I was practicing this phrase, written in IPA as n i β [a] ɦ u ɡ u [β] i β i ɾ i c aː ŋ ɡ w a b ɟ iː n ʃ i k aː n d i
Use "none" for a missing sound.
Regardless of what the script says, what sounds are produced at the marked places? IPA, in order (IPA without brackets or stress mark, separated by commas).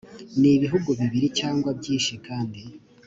i, β